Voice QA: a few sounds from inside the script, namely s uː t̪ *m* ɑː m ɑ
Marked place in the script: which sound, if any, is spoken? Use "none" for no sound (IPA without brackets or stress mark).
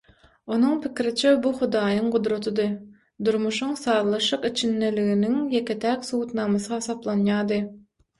n